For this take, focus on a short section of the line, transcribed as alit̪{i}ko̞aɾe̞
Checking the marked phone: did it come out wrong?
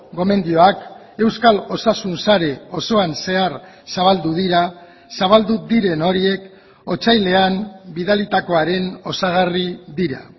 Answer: yes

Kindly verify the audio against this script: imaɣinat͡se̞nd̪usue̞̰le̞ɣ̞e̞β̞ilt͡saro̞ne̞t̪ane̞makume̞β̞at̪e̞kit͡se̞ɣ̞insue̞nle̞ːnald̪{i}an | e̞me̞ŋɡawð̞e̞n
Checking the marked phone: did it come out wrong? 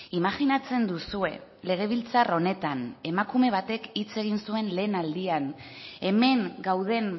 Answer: no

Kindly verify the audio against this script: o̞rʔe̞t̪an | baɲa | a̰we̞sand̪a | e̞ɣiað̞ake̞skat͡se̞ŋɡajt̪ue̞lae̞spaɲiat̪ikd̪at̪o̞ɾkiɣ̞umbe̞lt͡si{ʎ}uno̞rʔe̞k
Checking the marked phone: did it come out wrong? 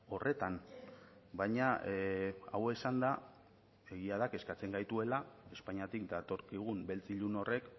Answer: no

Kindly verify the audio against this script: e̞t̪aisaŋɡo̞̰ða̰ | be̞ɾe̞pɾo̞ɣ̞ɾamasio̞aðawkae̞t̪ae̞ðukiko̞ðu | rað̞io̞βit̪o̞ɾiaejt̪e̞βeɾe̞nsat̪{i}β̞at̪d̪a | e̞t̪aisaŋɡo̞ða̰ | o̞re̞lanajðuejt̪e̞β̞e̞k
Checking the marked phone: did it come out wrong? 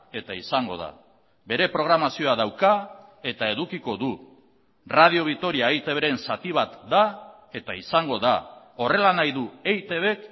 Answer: no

